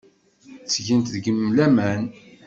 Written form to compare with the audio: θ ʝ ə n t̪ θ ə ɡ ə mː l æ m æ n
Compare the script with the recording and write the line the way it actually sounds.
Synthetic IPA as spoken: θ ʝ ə n t̪ ð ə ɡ ə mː l æ m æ n